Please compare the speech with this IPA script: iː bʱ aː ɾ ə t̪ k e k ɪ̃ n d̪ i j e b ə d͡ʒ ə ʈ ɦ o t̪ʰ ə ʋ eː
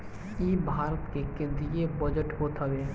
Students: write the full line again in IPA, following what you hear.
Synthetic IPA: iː bʱ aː ɾ ə t̪ k e k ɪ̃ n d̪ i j e b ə d͡ʒ ə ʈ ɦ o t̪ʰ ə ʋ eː